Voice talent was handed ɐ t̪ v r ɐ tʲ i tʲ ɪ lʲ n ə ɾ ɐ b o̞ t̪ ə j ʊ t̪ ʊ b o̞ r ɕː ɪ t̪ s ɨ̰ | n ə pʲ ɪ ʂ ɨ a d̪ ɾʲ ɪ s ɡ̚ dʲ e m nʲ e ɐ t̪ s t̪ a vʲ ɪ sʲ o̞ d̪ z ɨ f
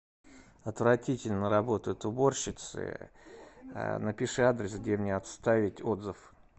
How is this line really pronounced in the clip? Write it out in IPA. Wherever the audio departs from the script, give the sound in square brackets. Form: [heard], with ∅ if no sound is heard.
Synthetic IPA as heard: ɐ t̪ v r ɐ tʲ i tʲ ɪ lʲ n ə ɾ ɐ b o̞ t̪ ə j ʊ t̪ ʊ b o̞ r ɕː ɪ t̪ s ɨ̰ | n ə pʲ ɪ ʂ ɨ a d̪ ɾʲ ɪ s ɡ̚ dʲ e m nʲ e ɐ t̪ s t̪ a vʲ ɪ [tʲ] o̞ d̪ z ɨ f